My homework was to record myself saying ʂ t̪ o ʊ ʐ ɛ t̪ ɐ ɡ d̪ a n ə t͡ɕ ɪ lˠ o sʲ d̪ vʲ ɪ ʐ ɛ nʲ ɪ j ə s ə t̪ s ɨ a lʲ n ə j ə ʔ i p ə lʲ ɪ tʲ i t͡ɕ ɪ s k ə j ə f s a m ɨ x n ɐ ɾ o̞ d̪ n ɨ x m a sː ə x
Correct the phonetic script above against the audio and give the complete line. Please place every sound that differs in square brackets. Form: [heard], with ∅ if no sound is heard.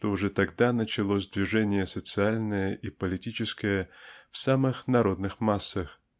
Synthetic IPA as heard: ʂ t̪ o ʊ ʐ ɛ t̪ ɐ ɡ d̪ a n ə t͡ɕ ɪ lˠ o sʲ d̪ vʲ ɪ ʐ ɛ nʲ ɪ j ə s ə t̪ s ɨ a lʲ n ə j ə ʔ i p ə lʲ ɪ tʲ i t͡ɕ ɪ s k ə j ə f s a m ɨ x n ɐ ɾ o̞ d̪ n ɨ x m a sː ə x